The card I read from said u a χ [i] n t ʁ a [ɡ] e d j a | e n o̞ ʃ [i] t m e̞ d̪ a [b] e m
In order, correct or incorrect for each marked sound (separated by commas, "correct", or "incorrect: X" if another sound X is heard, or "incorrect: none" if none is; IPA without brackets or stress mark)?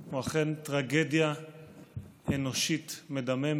incorrect: e, correct, correct, incorrect: m